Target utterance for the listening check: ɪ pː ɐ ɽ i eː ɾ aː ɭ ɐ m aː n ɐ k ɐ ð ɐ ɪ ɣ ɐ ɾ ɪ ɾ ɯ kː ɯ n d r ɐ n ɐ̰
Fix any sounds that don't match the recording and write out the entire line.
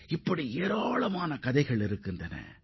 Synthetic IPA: ɪ pː ɐ ɽ i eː ɾ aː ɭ ɐ m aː n ɐ k ɐ ð ɐ ɪ ɣ ɐ ɭ ɪ ɾ ɯ kː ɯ n d r ɐ n ɐ̰